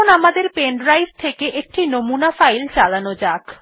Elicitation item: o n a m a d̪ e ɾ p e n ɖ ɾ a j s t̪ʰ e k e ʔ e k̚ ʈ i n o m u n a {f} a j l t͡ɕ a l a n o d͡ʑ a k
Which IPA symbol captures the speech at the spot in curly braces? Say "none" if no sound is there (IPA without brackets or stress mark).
f